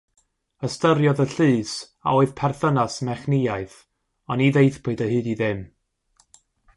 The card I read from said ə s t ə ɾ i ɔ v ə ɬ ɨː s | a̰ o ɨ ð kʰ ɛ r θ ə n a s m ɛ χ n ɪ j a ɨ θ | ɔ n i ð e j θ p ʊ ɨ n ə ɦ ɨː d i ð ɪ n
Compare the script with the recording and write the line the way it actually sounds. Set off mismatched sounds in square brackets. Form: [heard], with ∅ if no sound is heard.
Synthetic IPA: ə s t ə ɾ [j] ɔ [ð] ə ɬ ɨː s | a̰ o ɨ ð [pʰ] ɛ r θ ə n a s m ɛ χ n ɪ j a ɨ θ | ɔ n i ð e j θ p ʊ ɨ [d] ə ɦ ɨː d i ð ɪ [m]